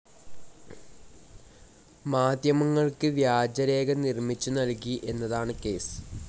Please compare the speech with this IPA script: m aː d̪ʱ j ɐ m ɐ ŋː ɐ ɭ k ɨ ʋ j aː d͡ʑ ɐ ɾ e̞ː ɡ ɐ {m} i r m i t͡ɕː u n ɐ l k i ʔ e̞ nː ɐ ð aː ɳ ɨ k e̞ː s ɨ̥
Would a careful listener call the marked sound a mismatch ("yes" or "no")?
yes